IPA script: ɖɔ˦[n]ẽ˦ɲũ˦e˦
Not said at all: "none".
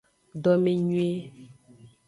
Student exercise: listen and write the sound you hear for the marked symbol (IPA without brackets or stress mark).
m